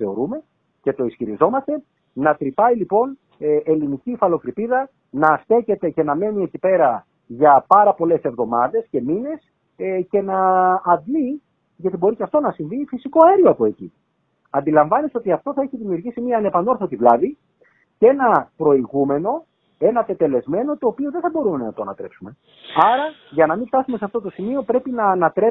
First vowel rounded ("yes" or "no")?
no